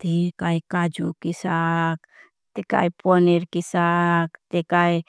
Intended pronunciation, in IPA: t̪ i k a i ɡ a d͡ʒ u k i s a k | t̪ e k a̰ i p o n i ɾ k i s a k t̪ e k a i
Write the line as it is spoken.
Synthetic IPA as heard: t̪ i k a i k a d͡ʒ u k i s a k | t̪ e k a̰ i p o n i ɾ k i s a k t̪ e k a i